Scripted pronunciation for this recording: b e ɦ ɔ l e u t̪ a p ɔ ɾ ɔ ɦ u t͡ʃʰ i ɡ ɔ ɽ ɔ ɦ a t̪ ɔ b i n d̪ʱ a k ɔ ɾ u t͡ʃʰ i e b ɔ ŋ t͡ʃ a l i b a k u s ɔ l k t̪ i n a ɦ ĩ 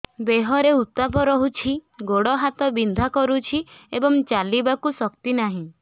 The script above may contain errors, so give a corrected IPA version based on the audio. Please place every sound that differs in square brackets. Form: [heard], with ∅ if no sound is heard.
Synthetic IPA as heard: b e ɦ ɔ [ɾ] e u t̪ a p ɔ ɾ ɔ ɦ u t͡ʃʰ i ɡ [o] ɽ ɔ ɦ a t̪ ɔ b i n d̪ʱ a k ɔ ɾ u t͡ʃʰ i e b ɔ ŋ t͡ʃ a l i b a k u s ɔ [∅] k t̪ i n a ɦ ĩ

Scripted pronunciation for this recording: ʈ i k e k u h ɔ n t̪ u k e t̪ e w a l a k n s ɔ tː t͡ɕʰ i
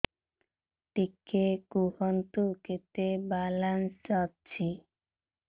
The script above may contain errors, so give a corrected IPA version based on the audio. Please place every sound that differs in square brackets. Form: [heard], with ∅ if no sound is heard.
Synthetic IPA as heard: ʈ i k e k u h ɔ n t̪ u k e t̪ e [b] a l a [∅] n s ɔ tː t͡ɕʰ i

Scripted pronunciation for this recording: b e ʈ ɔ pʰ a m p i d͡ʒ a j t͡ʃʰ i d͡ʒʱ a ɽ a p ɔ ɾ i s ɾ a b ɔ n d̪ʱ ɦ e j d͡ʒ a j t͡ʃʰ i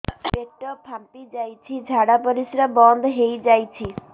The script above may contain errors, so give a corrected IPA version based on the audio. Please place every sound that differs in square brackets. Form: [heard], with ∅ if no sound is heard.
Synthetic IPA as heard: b e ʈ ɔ pʰ a m p i d͡ʒ a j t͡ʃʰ i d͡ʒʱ a ɽ a p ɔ ɾ i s ɾ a b ɔ n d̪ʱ ɦ e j d͡ʒ a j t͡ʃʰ i

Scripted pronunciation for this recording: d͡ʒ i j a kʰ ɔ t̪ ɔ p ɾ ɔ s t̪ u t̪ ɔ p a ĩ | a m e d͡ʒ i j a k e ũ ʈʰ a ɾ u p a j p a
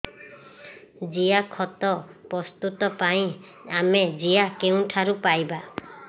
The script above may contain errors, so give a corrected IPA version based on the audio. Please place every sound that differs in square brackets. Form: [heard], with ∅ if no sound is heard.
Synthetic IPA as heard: d͡ʒ i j a kʰ ɔ t̪ ɔ p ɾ ɔ s t̪ u t̪ ɔ p a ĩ | a m e d͡ʒ i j a k e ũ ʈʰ a ɾ u p a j [b] a

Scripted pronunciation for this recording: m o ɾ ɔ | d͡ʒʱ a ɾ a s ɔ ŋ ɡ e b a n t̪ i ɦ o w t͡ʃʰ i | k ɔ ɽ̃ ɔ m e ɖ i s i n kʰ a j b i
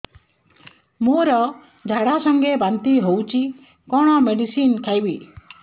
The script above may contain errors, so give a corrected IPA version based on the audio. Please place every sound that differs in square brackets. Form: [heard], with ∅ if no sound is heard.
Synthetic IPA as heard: m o ɾ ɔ | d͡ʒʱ a [ɽ] a s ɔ ŋ ɡ e b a n t̪ i ɦ o w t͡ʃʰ i | k ɔ ɽ̃ ɔ m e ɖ i s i n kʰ a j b i

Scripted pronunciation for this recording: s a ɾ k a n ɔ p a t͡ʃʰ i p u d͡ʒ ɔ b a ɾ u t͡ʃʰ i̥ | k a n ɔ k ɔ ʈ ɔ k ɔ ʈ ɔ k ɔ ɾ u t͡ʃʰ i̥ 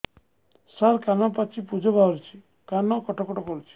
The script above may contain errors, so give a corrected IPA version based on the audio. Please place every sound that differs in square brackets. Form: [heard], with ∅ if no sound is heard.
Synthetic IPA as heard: s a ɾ k a n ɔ p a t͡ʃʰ i p u d͡ʒ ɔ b a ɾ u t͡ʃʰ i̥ | k a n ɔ k ɔ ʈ ɔ k ɔ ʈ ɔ k ɔ ɾ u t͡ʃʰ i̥

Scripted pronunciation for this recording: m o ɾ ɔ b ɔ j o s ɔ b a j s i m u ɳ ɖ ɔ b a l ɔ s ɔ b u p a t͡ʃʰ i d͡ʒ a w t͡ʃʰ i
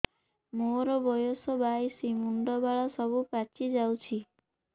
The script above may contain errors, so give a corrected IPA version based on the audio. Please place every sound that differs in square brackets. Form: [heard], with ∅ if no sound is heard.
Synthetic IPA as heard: m o ɾ ɔ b ɔ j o s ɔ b a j s i m u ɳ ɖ ɔ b a [ɭ] ɔ s ɔ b u p a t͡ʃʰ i d͡ʒ a w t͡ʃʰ i

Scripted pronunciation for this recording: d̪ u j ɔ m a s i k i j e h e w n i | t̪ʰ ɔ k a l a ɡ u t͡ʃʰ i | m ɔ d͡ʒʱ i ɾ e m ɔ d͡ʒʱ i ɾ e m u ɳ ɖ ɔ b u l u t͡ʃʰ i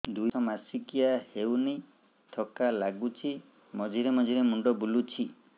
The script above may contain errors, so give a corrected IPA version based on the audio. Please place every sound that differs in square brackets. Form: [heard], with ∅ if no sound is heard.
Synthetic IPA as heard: d̪ u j ɔ m a s i k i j [a] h e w n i | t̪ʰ ɔ k a l a ɡ u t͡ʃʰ i | m ɔ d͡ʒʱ i ɾ e m ɔ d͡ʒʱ i ɾ e m u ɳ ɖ ɔ b u l u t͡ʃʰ i

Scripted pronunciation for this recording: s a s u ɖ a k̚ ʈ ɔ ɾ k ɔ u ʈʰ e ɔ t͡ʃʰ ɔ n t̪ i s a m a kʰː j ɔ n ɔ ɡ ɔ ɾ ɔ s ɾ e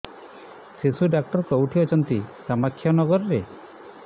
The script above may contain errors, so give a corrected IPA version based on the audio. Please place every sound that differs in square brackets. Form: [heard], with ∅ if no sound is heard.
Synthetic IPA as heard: s [e] s u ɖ a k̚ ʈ ɔ ɾ k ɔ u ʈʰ [i] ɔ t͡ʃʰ ɔ n t̪ i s a m a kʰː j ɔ n ɔ ɡ ɔ ɾ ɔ [∅] ɾ e

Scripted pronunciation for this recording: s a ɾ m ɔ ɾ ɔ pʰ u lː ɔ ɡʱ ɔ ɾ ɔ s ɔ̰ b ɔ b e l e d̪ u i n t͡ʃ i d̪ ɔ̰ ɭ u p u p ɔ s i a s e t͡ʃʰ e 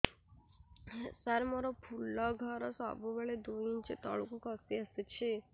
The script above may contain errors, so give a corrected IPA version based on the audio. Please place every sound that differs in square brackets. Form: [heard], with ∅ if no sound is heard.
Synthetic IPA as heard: s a ɾ m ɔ ɾ ɔ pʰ u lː ɔ ɡʱ ɔ ɾ ɔ s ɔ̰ b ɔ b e [ɭ] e d̪ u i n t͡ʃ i [t̪] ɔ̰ ɭ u [k] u [k] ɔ s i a s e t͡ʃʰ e

